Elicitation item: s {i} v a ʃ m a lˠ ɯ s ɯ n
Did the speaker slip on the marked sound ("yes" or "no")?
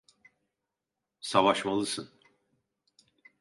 yes